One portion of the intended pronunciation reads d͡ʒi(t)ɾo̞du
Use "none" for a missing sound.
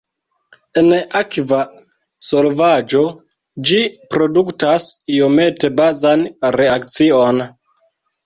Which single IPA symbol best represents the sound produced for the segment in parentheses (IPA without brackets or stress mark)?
p